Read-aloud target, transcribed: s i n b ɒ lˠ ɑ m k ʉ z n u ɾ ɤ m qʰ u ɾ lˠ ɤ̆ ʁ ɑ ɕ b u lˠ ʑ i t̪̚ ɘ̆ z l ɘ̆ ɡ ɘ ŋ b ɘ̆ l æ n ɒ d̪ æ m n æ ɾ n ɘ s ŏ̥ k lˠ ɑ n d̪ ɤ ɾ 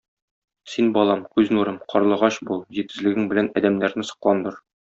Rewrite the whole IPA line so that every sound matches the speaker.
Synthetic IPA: s i n b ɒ lˠ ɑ m k ʉ z n u ɾ ɤ m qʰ ɒ ɾ lˠ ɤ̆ ʁ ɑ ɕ b u lˠ ʑ i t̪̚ ɘ̆ z l ɘ̆ ɡ ɘ ŋ b ɘ̆ l æ n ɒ d̪ æ m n æ ɾ n ɘ s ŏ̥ q lˠ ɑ n d̪ ɤ ɾ

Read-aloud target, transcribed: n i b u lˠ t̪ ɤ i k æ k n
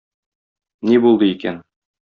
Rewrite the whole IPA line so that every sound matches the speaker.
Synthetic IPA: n i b u lˠ d̪ ɤ i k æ n

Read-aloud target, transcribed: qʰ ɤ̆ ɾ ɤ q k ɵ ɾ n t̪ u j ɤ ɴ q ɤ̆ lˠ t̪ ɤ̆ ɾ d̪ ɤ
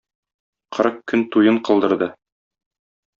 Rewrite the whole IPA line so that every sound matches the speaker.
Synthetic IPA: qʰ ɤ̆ ɾ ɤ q k ɵ n t̪ u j ɤ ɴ q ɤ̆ lˠ d̪ ɤ̆ ɾ d̪ ɤ

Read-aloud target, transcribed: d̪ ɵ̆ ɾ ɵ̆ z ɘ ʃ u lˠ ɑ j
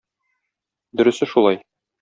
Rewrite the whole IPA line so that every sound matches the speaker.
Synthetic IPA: d̪ ɵ̆ ɾ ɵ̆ s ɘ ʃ u lˠ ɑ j

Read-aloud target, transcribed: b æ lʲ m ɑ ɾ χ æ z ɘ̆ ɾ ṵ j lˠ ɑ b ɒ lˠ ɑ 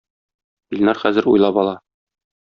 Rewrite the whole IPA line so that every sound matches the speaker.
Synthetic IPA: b i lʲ n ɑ ɾ χ æ z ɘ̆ ɾ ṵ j lˠ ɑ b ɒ lˠ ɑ

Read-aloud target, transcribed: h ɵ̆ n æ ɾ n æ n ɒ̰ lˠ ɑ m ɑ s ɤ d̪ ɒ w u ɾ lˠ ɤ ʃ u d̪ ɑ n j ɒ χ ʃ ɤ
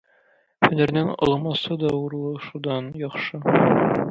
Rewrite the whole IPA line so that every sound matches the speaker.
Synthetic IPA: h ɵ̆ n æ ɾ n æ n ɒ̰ lˠ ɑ m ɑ s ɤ d̪ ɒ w u ɾ lˠ ɤ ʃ u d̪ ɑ n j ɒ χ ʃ ɤ

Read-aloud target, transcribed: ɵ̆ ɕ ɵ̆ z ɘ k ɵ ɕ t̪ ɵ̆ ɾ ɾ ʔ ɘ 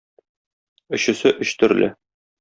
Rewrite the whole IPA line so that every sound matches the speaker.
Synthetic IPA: ɵ̆ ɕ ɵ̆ s ɘ ʔ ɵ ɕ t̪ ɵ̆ ɾ l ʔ ɘ

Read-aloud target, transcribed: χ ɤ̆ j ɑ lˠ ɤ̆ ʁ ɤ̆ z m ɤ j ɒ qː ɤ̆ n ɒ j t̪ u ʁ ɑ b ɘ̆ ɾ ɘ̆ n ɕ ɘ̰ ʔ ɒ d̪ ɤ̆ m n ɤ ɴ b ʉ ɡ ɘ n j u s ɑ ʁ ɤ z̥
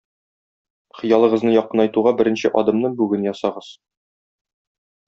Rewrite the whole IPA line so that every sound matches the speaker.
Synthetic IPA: χ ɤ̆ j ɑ lˠ ɤ̆ ʁ ɤ̆ z n ɤ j ɒ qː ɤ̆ n ɒ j t̪ u ʁ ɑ b ɘ̆ ɾ ɘ̆ n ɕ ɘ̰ ʔ ɒ d̪ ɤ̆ m n ɤ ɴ b ʉ ɡ ɘ n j ɒ s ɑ ʁ ɤ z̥

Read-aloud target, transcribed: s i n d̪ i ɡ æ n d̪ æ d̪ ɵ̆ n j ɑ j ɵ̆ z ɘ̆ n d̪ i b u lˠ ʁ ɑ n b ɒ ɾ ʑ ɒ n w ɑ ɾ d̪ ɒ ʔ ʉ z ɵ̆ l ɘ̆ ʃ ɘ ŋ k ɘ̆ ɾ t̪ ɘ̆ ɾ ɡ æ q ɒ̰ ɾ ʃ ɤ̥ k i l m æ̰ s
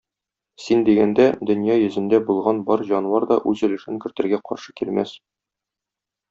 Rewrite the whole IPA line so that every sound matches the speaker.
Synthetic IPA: s i n d̪ i ɡ æ n d̪ æ d̪ ɵ̆ n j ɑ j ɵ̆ z ɘ̆ n d̪ æ b u lˠ ʁ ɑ n b ɒ ɾ ʑ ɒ n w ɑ ɾ d̪ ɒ ʔ ʉ z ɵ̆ l ɘ̆ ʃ ɘ ŋ k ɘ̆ ɾ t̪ ɘ̆ ɾ ɡ æ q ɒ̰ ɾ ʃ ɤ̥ k i l m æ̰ s

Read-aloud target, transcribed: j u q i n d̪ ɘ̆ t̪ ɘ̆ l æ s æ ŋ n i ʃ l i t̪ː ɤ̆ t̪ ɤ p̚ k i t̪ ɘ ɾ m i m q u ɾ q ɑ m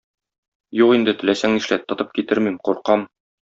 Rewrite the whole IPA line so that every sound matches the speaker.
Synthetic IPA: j u q i n d̪ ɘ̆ t̪ ɘ̆ l æ s æ ŋ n i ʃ l æ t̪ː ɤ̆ t̪ ɤ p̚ k i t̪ ɘ ɾ m i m q u ɾ q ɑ m

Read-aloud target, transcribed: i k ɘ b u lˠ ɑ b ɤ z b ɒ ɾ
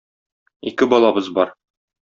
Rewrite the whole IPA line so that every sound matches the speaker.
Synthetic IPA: i k ɘ b ɒ lˠ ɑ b ɤ z b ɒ ɾ

